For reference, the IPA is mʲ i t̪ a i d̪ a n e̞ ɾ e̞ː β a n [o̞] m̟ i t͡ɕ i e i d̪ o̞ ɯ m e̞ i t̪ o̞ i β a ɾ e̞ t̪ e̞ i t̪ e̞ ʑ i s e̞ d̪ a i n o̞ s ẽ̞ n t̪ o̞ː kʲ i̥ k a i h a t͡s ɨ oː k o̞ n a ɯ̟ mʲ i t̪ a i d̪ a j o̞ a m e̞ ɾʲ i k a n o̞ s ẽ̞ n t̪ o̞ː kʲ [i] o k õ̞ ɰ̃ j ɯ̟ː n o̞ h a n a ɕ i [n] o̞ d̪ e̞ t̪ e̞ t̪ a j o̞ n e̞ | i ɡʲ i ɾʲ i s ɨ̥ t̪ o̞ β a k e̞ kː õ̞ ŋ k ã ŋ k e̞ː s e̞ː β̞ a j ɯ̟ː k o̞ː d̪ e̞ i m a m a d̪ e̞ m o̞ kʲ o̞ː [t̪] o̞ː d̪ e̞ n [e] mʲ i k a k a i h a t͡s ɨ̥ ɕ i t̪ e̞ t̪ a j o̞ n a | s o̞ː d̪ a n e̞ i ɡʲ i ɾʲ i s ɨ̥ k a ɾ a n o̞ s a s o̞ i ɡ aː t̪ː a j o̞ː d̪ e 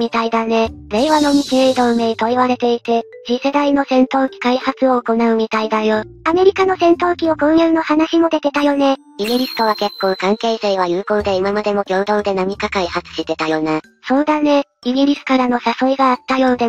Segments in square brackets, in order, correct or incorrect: correct, correct, incorrect: m, incorrect: d̪, incorrect: a

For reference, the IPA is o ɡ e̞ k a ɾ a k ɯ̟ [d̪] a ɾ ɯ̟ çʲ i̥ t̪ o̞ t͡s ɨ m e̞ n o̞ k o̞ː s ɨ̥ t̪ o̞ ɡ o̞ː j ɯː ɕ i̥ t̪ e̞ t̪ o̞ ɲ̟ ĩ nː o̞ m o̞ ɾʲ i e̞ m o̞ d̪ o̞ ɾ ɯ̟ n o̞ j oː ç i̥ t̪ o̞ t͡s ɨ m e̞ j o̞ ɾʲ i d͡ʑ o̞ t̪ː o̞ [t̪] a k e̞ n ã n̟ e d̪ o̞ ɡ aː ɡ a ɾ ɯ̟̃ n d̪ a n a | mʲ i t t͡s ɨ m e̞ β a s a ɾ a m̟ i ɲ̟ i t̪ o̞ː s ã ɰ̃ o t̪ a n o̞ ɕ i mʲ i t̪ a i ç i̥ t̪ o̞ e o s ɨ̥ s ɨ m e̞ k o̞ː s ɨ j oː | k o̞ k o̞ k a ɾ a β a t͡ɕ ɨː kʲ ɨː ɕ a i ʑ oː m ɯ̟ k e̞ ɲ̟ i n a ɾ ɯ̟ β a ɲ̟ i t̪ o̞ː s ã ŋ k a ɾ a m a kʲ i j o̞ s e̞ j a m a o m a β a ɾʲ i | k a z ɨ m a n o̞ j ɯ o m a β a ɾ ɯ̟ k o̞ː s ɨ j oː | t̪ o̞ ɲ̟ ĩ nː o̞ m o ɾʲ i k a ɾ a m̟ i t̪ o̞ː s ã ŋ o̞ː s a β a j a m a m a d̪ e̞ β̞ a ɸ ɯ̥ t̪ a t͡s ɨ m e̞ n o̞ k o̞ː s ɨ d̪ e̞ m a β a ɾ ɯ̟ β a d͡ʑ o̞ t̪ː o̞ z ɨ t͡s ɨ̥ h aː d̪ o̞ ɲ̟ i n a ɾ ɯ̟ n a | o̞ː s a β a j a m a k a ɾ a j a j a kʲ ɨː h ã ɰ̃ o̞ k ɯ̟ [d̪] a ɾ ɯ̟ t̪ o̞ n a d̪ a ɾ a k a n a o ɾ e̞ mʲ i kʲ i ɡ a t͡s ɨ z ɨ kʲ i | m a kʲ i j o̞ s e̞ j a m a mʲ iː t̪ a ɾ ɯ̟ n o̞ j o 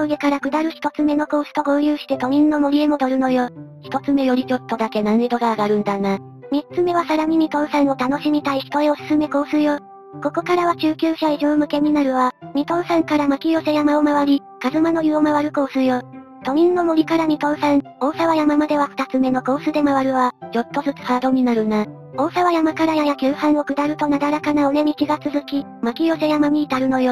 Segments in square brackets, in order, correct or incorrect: correct, incorrect: d̪, correct

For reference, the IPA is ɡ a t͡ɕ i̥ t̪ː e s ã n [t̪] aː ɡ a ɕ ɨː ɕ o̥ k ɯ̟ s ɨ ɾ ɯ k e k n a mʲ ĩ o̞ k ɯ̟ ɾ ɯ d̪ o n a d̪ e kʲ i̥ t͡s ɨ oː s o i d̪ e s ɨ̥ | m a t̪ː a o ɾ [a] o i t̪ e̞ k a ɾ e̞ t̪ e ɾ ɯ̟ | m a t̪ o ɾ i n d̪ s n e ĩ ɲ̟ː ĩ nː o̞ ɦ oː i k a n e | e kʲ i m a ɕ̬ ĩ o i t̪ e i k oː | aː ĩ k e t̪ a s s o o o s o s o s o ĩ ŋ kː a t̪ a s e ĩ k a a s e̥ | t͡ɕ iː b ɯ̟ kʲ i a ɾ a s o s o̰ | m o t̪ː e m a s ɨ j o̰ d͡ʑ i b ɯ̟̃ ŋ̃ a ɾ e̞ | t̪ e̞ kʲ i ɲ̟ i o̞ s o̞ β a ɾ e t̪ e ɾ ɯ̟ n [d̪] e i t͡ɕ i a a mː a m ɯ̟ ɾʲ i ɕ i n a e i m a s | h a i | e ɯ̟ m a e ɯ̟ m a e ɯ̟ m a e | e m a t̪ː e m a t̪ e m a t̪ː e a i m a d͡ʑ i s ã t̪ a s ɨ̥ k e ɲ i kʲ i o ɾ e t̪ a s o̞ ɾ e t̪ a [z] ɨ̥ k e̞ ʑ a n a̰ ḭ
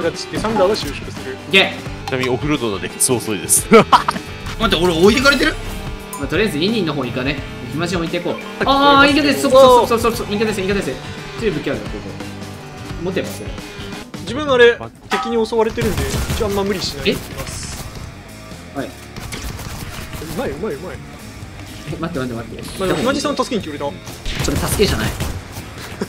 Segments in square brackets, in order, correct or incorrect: incorrect: d̪, incorrect: e, correct, incorrect: s

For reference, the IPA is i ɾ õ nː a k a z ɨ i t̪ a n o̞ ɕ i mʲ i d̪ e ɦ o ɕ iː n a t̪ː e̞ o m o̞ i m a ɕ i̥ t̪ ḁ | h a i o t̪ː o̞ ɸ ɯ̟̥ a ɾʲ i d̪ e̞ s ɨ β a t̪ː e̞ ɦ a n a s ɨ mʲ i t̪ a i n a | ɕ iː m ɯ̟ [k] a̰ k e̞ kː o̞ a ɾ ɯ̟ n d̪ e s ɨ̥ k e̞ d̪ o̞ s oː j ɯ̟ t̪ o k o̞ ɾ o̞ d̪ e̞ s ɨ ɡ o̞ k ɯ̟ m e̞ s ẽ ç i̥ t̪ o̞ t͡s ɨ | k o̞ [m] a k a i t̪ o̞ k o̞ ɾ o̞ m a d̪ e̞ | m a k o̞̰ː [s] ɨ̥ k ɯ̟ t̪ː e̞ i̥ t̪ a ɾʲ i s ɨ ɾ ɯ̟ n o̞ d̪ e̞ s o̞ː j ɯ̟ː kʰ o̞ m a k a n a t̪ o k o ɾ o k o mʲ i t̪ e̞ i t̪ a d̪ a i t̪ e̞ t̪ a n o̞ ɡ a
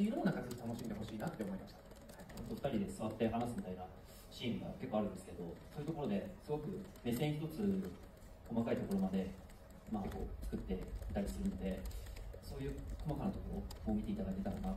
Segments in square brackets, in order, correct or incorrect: incorrect: ɡ, correct, incorrect: t͡s

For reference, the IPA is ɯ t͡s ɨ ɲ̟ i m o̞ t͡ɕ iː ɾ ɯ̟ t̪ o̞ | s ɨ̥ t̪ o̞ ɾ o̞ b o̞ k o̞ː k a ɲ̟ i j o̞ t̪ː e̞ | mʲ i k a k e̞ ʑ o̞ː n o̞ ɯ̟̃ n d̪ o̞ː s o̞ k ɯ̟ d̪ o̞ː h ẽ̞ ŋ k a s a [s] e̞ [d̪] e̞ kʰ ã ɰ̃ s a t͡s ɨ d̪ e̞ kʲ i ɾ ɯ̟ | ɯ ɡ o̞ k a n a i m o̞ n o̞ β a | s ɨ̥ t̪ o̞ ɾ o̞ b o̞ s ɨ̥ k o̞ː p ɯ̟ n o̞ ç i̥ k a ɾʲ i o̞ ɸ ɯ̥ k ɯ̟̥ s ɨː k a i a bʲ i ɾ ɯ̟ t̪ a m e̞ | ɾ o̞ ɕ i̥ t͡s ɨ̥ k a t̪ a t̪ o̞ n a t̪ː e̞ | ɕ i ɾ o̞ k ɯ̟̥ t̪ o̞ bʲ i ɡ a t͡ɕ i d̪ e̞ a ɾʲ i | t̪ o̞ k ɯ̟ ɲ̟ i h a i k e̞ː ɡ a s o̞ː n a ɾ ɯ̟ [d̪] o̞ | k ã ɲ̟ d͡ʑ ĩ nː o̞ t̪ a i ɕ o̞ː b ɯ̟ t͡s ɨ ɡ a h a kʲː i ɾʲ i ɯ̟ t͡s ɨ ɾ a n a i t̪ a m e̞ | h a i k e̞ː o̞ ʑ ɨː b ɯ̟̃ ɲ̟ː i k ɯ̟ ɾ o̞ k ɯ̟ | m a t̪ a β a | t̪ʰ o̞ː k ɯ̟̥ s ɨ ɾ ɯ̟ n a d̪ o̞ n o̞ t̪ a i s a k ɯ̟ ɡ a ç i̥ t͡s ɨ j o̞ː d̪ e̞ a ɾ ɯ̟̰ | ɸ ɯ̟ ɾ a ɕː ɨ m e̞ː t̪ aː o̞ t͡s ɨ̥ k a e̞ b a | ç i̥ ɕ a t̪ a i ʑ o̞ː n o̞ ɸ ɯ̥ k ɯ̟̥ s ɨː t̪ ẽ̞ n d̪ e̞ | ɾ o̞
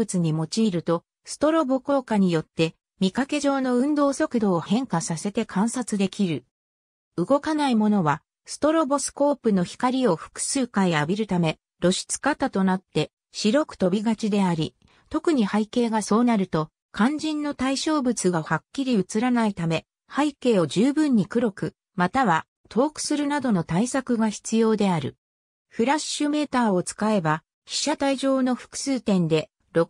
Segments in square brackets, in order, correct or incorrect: correct, incorrect: t̪, incorrect: t̪

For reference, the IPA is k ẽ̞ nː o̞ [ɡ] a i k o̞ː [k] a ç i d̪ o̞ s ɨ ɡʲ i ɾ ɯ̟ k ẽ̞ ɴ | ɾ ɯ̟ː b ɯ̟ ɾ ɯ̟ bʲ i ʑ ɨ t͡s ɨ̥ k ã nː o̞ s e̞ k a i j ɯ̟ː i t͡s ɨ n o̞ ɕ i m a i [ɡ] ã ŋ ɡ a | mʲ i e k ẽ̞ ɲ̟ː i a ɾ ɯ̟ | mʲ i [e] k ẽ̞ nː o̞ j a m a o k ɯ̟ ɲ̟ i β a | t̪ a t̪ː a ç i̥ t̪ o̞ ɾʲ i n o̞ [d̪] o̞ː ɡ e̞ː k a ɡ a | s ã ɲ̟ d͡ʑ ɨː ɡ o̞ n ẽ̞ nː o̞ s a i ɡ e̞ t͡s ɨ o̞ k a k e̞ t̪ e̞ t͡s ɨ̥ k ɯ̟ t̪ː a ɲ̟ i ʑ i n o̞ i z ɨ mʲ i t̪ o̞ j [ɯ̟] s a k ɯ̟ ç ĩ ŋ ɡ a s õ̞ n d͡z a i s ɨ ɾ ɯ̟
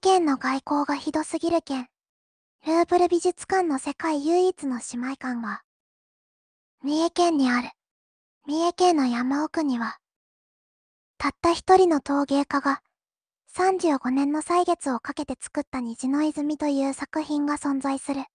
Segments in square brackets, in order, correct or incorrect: correct, incorrect: ɡ, incorrect: k, correct, incorrect: t̪, incorrect: ɯ̟ː

